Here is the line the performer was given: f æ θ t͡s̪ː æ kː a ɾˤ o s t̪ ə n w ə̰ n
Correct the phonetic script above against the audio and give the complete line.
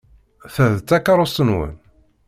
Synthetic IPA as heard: θ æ ð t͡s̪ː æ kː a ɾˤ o s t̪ ə n w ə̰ n